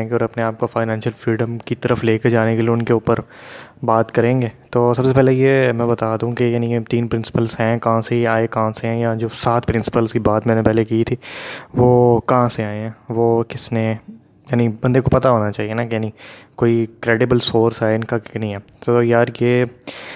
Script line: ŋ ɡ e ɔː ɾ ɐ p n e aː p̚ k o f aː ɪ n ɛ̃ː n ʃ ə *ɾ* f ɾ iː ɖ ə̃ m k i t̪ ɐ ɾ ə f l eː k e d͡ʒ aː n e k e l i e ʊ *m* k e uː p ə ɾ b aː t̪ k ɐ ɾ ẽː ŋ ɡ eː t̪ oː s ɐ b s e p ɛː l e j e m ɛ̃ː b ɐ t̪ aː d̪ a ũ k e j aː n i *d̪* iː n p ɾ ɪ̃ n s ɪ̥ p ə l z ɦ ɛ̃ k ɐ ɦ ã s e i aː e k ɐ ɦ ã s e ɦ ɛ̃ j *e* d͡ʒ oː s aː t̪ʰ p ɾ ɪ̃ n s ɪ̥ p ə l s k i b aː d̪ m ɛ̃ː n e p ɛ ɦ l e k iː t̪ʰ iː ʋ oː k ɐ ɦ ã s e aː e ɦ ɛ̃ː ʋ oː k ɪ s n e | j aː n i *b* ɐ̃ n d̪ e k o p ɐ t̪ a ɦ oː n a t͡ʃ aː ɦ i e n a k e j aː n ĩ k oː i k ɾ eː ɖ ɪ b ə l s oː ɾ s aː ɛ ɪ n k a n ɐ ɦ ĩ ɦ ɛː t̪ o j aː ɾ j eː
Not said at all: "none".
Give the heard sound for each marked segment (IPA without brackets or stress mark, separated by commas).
l, n, t̪, a, b